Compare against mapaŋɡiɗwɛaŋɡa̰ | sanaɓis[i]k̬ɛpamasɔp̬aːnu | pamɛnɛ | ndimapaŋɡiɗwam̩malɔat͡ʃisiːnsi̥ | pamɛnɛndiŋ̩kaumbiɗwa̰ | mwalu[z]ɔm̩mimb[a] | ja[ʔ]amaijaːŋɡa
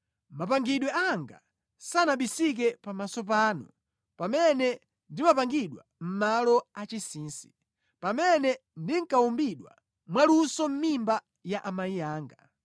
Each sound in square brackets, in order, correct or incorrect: correct, incorrect: s, correct, correct

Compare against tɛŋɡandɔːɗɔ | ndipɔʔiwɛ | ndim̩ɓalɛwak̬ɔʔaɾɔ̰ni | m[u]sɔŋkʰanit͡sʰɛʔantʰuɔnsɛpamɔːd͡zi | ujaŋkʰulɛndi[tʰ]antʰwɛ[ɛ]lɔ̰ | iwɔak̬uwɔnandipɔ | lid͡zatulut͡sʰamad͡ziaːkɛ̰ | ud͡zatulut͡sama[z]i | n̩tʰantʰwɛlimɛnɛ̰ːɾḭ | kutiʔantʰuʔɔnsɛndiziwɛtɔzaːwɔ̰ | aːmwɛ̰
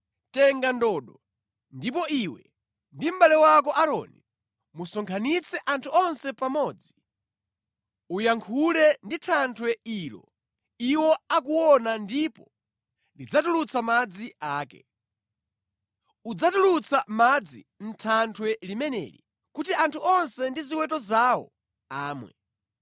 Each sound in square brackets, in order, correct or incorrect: correct, correct, incorrect: i, incorrect: d͡z

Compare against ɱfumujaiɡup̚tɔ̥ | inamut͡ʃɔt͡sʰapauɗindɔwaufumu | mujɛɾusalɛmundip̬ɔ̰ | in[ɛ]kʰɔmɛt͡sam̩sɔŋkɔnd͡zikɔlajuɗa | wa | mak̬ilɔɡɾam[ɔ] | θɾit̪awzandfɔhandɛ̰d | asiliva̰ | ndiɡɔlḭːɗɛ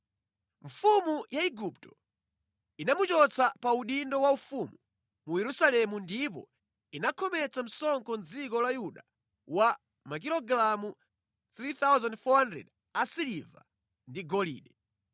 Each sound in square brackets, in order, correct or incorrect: incorrect: a, incorrect: u

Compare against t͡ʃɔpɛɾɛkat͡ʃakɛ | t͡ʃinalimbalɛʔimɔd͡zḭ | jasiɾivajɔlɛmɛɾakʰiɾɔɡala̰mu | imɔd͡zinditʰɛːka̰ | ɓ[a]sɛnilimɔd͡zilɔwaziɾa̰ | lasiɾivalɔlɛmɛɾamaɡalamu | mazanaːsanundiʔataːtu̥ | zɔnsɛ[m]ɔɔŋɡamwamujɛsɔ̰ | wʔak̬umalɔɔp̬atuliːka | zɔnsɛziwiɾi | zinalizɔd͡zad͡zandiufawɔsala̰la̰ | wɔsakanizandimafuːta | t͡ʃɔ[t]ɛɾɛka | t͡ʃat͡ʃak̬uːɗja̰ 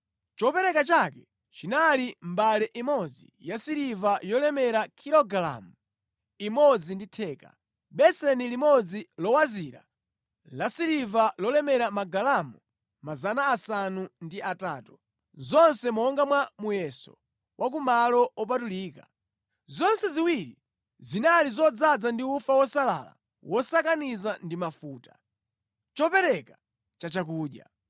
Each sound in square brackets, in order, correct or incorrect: incorrect: ɛ, correct, incorrect: p

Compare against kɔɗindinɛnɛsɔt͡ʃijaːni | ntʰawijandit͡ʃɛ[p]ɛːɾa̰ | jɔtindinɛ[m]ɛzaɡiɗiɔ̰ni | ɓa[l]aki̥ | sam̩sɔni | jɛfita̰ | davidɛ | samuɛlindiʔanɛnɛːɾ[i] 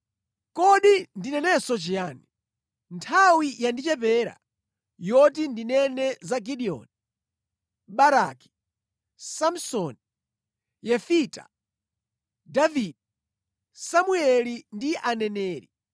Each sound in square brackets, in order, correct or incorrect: correct, incorrect: n, incorrect: ɾ, correct

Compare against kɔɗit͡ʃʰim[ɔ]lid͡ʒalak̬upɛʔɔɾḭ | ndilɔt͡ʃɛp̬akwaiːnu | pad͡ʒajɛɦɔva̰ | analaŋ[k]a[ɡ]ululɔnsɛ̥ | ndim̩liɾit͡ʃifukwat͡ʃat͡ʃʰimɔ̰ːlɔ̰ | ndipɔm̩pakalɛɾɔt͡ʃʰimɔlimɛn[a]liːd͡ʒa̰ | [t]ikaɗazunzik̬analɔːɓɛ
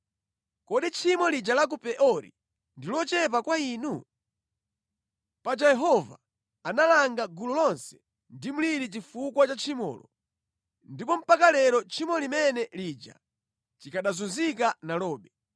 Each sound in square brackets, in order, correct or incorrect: correct, incorrect: ɡ, correct, incorrect: ɛ, incorrect: t͡ʃ

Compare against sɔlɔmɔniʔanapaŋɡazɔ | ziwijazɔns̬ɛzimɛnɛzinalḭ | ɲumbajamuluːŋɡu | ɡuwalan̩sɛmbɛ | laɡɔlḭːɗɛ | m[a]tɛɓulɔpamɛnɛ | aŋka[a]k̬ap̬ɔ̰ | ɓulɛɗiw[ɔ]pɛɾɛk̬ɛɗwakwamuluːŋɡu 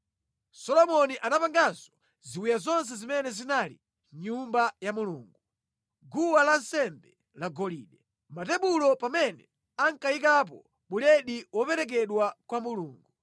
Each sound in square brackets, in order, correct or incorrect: correct, incorrect: i, correct

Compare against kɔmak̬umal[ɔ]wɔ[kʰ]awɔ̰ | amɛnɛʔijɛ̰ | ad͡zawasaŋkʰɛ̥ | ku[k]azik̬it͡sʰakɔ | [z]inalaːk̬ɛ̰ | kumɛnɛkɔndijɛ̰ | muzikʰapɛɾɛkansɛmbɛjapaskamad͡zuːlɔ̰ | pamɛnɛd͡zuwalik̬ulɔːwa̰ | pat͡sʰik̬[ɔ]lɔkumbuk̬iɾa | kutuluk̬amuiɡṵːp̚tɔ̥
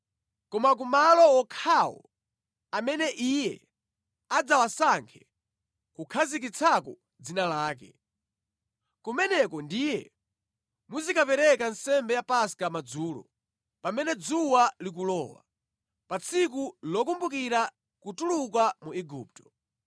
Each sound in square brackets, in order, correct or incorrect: correct, correct, incorrect: kʰ, incorrect: d͡z, incorrect: u

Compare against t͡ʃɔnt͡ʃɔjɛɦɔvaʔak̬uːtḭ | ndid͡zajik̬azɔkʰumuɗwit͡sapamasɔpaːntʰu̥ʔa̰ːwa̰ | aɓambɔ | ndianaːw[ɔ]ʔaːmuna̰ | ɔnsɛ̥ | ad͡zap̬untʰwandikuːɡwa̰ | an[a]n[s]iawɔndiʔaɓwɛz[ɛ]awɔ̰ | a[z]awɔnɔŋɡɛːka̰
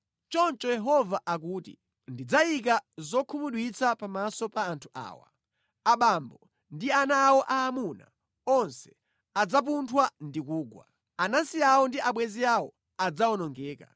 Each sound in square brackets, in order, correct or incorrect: correct, correct, correct, incorrect: i, incorrect: d͡z

